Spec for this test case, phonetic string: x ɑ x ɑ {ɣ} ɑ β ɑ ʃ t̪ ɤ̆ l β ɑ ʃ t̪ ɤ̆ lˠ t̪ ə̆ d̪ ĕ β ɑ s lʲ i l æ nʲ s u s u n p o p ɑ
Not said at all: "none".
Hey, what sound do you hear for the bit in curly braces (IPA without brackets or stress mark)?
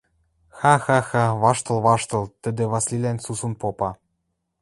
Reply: x